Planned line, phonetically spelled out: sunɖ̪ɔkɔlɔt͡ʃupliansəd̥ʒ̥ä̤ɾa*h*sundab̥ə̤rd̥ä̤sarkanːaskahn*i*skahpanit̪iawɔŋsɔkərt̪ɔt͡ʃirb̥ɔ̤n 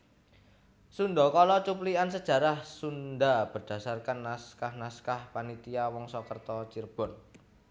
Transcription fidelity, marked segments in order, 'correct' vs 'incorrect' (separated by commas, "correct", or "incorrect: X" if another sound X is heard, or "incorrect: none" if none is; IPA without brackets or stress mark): correct, incorrect: a